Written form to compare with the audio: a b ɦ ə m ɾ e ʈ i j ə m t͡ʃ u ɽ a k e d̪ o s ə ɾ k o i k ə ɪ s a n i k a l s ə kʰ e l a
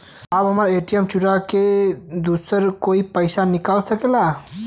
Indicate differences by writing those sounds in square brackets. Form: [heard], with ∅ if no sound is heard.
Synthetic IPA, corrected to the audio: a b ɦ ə m ɾ e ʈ i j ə m t͡ʃ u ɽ a k e d̪ [u] s ə ɾ k o i [p] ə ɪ s a n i k a l s ə [k] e l a